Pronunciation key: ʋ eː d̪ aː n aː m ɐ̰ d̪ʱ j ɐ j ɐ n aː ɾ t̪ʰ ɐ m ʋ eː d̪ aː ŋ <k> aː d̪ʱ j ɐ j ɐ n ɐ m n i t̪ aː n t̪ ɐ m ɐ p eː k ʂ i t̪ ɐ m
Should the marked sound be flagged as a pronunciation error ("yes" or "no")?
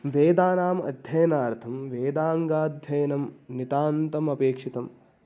yes